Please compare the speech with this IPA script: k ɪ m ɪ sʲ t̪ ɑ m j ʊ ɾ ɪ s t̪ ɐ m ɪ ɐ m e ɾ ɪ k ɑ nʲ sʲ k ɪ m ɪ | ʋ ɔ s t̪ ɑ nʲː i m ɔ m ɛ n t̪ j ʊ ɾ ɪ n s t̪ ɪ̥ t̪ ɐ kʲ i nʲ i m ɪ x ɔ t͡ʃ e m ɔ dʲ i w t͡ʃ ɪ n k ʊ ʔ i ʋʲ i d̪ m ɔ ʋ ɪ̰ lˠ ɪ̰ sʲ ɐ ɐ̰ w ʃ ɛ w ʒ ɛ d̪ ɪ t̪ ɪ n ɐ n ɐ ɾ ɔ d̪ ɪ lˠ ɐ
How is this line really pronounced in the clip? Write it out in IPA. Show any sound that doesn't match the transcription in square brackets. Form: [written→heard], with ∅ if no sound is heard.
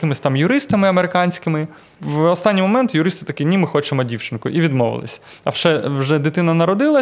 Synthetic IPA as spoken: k ɪ m ɪ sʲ t̪ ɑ m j ʊ ɾ ɪ s t̪ ɐ m ɪ ɐ m e ɾ ɪ k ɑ nʲ sʲ k ɪ m ɪ | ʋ ɔ s t̪ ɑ nʲː i m ɔ m ɛ n t̪ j ʊ ɾ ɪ [n→∅] s t̪ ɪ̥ t̪ ɐ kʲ i nʲ i m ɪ x ɔ t͡ʃ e m ɔ dʲ i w t͡ʃ ɪ n k ʊ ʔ i ʋʲ i d̪ m ɔ ʋ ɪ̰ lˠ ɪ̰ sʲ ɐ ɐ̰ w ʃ ɛ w ʒ ɛ d̪ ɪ t̪ ɪ n ɐ n ɐ ɾ ɔ d̪ ɪ lˠ ɐ